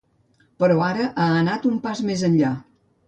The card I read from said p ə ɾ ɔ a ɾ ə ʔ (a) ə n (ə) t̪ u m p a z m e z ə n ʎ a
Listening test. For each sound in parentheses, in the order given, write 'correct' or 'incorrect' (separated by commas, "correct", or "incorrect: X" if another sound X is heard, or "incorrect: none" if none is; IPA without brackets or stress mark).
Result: correct, incorrect: a